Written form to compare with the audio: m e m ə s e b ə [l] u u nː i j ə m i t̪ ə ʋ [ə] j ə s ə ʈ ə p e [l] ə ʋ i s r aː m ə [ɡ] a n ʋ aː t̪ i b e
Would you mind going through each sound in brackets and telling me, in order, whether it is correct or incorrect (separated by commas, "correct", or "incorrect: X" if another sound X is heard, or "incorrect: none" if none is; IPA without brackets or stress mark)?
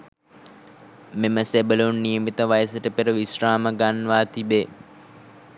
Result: correct, incorrect: a, incorrect: ɾ, correct